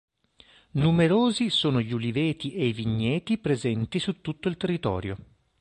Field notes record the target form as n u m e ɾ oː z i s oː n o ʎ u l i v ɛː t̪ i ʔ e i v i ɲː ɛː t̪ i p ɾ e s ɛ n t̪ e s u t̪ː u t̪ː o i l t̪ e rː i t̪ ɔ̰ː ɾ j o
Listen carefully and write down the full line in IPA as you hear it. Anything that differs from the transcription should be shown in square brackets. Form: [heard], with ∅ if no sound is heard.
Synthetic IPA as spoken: n u m e ɾ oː z i s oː n o ʎ u l i v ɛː t̪ i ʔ e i v i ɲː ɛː t̪ i p ɾ e [z] ɛ n t̪ [i] s u t̪ː u t̪ː o i l t̪ e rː i t̪ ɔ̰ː ɾ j o